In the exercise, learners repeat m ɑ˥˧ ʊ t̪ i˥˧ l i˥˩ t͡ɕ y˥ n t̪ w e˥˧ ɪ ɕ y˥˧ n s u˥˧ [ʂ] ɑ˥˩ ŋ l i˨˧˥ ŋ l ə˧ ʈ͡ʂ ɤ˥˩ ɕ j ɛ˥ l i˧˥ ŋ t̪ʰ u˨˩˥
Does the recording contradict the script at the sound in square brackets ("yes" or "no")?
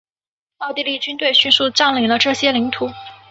yes